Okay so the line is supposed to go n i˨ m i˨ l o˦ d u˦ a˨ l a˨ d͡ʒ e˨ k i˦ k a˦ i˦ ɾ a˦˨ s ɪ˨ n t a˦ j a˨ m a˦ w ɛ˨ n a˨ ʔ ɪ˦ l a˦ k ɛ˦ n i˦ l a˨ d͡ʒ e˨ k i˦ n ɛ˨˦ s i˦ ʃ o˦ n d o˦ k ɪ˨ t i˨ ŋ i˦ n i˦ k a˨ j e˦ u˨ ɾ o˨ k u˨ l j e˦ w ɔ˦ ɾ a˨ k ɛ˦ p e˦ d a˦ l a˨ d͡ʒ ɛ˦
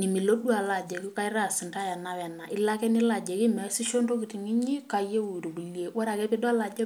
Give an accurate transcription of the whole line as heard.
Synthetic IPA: n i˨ m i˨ l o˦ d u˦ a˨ l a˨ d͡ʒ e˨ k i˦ k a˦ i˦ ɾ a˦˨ s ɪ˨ n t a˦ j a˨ n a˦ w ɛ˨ n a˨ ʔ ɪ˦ l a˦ k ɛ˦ n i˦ l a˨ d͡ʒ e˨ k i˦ m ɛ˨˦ s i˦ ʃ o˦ n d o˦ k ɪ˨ t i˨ ŋ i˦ ɲ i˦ k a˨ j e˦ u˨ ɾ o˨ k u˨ l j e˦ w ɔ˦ ɾ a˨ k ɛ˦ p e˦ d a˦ l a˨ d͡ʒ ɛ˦